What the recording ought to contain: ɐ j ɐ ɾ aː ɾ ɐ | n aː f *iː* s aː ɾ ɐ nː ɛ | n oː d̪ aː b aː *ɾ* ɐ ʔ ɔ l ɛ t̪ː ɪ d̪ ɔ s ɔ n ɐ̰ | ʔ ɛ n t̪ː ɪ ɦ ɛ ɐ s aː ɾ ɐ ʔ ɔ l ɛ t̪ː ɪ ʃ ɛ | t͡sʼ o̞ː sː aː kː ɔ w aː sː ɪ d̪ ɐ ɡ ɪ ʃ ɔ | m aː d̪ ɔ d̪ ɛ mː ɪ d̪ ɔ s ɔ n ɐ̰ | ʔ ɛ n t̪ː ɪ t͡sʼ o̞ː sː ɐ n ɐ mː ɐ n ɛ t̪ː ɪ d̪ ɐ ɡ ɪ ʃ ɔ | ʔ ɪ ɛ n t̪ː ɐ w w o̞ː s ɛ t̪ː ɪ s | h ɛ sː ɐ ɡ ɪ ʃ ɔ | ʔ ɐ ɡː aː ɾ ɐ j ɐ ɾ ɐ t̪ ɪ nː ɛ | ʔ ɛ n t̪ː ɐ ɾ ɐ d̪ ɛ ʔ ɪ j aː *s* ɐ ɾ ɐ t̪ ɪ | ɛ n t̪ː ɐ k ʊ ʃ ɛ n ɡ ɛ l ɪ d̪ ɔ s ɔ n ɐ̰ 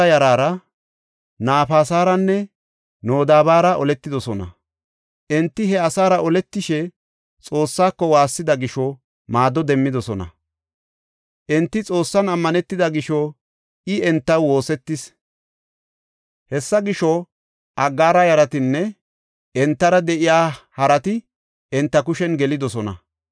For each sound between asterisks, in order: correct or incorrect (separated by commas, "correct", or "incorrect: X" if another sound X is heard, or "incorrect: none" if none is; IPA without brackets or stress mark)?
incorrect: aː, correct, incorrect: h